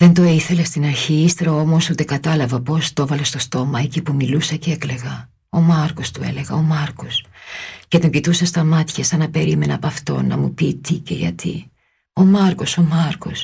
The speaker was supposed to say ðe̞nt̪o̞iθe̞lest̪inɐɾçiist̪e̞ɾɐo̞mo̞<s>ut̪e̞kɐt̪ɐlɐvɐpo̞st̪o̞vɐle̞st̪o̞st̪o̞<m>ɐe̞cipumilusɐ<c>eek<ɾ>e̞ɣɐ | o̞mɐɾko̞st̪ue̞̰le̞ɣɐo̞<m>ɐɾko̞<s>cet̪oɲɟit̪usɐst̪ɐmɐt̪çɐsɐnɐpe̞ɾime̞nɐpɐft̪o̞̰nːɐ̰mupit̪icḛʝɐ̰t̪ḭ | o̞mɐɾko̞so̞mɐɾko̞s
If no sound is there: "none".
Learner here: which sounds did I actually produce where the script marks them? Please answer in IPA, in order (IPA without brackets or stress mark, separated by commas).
s, m, c, l, m, s